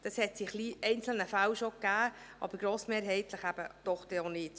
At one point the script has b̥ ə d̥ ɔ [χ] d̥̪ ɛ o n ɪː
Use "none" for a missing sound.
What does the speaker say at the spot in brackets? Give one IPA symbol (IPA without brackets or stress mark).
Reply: χ